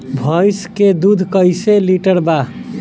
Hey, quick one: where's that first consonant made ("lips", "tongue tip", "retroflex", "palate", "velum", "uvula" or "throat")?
lips